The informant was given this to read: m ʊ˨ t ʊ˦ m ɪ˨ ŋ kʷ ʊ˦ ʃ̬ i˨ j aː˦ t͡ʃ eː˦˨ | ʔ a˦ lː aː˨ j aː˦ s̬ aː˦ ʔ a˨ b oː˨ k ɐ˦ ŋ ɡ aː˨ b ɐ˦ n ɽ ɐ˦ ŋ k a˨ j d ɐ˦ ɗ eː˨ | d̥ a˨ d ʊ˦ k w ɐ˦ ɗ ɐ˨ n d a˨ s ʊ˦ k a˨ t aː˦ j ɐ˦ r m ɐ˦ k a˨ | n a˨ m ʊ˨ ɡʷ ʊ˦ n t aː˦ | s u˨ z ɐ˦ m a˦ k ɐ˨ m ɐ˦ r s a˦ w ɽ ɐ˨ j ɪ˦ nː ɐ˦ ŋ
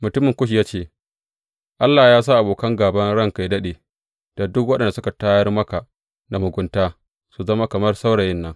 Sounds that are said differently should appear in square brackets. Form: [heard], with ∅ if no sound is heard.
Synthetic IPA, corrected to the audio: m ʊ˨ t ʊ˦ m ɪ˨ ŋ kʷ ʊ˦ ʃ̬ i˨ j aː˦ t͡ʃ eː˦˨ | ʔ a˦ lː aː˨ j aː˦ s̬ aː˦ ʔ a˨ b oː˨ k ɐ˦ ŋ ɡ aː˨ b ɐ˦ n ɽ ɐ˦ ŋ k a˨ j d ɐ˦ ɗ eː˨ | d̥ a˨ d ʊ˦ k w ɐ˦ ɗ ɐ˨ n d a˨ s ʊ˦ k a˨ t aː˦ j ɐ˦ r m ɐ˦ k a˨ | n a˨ m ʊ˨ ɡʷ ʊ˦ n t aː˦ | s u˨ z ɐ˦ m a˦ k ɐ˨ m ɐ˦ r s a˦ w ɽ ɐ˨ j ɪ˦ nː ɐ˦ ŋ